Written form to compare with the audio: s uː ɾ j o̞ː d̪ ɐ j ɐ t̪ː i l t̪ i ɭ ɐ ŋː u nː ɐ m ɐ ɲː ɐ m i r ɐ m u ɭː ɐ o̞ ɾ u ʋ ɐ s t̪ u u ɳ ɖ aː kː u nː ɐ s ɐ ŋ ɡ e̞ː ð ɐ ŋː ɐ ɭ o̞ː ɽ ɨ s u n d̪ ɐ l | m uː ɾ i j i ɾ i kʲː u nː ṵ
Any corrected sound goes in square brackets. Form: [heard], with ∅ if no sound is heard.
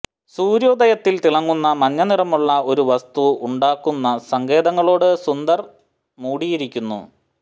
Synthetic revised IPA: s uː ɾ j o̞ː d̪ ɐ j ɐ t̪ː i l t̪ i ɭ ɐ ŋː u nː ɐ m ɐ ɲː ɐ [n] i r ɐ m u ɭː ɐ o̞ ɾ u ʋ ɐ s t̪ u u ɳ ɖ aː kː u nː ɐ s ɐ ŋ ɡ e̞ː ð ɐ ŋː ɐ ɭ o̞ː ɽ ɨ s u n d̪ ɐ [r] | m uː [ɽ] i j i ɾ i kʲː u nː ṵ